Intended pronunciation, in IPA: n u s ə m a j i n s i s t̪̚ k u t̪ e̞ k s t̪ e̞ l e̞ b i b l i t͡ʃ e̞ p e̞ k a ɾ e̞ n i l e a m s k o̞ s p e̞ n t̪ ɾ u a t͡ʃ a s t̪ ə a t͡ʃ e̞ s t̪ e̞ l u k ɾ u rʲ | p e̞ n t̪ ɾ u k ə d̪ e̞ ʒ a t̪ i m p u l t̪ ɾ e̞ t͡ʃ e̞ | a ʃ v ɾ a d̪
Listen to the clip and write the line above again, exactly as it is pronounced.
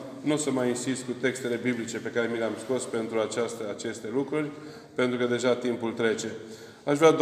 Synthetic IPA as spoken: n u s ə m a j i n s i s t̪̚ k u t̪ e̞ k s t̪ e̞ l e̞ b i b l i t͡ʃ e̞ p e̞ k a ɾ e̞ m i l e a m s k o̞ s p e̞ n t̪ ɾ u a t͡ʃ a s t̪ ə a t͡ʃ e̞ s t̪ e̞ l u k ɾ u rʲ | p e̞ n t̪ ɾ u k ə d̪ e̞ ʒ a t̪ i m p u l t̪ ɾ e̞ t͡ʃ e̞ | a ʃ v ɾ a d̪